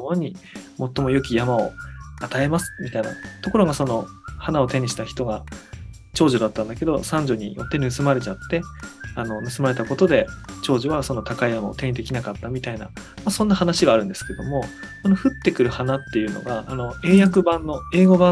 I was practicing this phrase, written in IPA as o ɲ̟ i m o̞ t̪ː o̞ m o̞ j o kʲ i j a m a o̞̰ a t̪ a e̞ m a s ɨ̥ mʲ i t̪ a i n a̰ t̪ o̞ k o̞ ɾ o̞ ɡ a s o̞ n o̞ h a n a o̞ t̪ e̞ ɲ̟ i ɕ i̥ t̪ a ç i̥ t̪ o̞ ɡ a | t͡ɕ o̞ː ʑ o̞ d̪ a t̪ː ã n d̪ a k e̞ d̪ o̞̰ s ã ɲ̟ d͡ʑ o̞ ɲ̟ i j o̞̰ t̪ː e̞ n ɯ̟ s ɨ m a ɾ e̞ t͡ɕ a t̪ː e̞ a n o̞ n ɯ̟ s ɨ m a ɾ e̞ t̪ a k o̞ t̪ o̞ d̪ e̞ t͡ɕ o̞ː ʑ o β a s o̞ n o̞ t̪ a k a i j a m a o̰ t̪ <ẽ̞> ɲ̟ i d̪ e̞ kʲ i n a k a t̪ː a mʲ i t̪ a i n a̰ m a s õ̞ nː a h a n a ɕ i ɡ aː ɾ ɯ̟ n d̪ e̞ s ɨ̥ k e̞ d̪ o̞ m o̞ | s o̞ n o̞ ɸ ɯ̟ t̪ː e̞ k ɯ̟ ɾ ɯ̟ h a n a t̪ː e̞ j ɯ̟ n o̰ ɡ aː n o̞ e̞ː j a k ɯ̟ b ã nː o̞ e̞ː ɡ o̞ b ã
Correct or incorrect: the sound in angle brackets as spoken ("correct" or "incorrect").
incorrect